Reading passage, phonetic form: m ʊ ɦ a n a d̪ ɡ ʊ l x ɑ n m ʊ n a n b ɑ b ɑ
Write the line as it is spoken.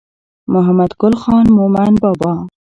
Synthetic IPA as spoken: m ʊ ɦ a m a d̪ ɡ ʊ l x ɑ n m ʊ m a n b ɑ b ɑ